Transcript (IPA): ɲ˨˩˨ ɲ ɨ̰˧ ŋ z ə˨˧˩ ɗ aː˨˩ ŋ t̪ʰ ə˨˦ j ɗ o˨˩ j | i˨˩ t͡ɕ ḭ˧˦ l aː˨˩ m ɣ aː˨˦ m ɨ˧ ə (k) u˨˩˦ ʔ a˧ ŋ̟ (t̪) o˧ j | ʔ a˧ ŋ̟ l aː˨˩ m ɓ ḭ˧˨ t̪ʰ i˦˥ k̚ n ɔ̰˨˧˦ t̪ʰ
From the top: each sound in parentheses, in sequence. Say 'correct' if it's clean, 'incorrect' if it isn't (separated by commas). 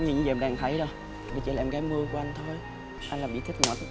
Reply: correct, incorrect